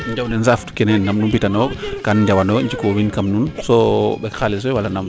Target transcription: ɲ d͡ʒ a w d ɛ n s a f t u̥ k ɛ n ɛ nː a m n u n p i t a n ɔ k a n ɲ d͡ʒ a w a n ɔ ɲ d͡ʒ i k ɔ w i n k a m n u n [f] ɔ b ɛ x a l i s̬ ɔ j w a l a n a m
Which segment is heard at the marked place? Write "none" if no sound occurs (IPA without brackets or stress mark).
s